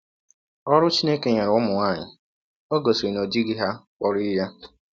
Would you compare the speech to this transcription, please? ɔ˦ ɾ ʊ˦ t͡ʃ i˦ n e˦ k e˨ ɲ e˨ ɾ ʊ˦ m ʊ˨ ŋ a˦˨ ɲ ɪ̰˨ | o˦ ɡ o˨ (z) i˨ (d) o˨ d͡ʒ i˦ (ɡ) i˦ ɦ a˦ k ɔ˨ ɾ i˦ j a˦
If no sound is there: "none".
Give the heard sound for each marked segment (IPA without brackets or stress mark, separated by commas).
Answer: s, n, ɡ